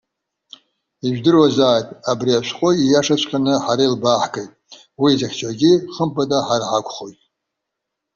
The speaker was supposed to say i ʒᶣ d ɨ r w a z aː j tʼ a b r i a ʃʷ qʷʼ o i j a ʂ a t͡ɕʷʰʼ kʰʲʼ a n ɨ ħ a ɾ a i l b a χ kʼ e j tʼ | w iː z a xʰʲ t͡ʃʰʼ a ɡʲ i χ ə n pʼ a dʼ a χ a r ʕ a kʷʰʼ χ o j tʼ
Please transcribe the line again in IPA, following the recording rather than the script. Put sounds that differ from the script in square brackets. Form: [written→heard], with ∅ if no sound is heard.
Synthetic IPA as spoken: i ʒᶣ d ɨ r w a z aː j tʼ a b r i a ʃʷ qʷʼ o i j a ʂ a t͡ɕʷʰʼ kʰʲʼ a n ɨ ħ a ɾ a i l b a [χ→ħ] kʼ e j tʼ | w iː z a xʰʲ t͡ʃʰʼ a ɡʲ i χ ə [n→m] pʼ a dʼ a [χ→ħ] a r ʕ a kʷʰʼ χ o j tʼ